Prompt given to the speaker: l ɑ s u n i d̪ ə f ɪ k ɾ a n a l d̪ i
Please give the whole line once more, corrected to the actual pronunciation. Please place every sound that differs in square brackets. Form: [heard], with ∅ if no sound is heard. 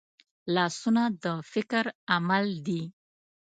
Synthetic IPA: l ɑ s u n [a] d̪ ə f ɪ k ɾ a [m] a l d̪ i